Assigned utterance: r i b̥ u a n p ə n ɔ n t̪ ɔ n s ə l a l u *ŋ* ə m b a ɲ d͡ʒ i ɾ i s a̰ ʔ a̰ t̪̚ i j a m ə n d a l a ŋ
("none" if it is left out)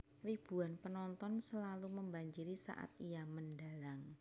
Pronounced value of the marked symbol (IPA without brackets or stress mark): m